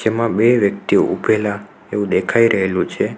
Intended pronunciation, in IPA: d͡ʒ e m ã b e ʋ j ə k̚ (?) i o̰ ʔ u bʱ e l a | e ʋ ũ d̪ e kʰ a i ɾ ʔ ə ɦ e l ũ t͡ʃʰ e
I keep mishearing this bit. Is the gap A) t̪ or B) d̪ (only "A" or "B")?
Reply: A